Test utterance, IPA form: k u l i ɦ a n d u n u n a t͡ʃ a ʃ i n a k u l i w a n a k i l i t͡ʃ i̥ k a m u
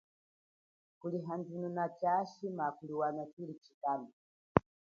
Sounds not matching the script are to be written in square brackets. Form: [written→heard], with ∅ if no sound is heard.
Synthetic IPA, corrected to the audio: k u l i ɦ a n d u n u n a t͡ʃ a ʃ i [n→m] a k u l i w a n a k i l i t͡ʃ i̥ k a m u